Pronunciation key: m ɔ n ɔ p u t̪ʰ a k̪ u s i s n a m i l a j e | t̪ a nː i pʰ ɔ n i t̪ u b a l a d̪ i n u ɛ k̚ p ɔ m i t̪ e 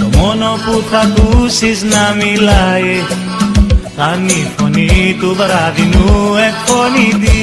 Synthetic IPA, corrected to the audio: m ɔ n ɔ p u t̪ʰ a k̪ u s i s n a m i l a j e | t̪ a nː i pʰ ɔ n i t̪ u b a ɾ a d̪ i n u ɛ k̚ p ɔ n i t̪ i